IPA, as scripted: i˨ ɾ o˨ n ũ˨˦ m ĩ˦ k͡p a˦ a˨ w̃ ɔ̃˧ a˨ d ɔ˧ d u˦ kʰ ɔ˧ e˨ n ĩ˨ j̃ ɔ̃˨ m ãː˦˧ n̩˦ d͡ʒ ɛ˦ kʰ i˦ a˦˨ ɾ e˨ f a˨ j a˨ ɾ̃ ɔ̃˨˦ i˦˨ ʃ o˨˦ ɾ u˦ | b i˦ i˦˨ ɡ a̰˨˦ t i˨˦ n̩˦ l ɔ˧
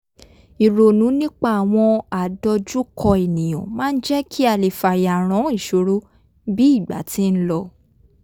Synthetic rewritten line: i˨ ɾ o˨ n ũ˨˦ n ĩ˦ k͡p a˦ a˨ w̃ ɔ̃˧ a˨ d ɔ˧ d͡ʒ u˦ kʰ ɔ˧ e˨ n ĩ˨ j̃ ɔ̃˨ m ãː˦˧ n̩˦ d͡ʒ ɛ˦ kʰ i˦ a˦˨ l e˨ f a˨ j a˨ ɾ̃ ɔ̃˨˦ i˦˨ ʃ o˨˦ ɾ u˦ | b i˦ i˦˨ ɡ͡b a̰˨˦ t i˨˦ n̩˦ l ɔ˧